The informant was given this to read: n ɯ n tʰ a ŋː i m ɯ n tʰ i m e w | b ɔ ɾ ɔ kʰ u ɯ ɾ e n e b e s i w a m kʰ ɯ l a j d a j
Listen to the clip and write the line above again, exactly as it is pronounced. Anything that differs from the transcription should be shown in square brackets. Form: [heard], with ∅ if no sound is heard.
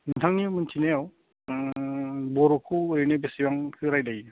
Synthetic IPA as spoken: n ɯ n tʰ a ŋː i m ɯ n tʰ i [n] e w | b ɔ ɾ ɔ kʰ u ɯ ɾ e n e b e s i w a [ŋ] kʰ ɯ [ɾ] a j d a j